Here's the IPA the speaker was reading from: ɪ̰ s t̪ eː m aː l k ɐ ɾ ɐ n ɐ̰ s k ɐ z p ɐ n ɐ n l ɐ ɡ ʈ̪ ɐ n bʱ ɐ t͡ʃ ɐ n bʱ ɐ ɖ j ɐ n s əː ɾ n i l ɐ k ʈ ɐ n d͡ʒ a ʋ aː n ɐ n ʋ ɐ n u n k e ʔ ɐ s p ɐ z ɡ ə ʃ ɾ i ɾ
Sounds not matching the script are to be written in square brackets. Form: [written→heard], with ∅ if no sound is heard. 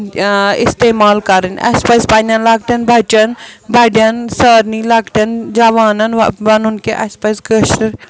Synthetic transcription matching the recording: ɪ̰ s t̪ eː m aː l k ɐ ɾ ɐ n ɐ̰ s [k→p] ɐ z p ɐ n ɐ n l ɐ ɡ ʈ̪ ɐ n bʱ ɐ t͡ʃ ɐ n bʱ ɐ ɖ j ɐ n s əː ɾ n i l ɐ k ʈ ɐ n d͡ʒ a ʋ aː n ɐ n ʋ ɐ n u n k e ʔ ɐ s p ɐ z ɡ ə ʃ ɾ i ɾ